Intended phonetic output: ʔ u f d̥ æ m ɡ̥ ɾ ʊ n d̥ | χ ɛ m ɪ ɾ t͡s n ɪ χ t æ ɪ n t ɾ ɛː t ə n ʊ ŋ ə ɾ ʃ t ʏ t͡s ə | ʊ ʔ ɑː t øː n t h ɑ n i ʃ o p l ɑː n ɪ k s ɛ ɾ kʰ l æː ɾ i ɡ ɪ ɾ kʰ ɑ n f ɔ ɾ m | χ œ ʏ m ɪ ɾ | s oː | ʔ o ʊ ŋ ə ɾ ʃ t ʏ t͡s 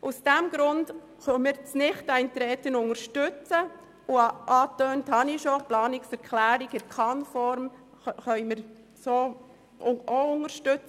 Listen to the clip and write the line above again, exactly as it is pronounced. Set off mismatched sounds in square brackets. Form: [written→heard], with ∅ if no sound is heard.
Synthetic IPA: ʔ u [f→s] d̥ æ m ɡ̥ ɾ ʊ n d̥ | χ [ɛ→œ] m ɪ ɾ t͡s n ɪ χ t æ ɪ n t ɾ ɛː t ə n ʊ ŋ ə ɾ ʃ t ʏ t͡s ə | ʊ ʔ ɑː t øː n t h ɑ n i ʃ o p l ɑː n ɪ k s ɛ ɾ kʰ l æː ɾ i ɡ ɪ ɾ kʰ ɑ n f ɔ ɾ m | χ œ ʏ m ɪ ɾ | s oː | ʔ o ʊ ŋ ə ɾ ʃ t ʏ t͡s